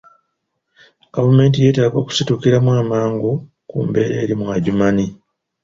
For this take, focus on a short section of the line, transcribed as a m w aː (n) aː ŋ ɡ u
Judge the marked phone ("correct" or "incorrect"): incorrect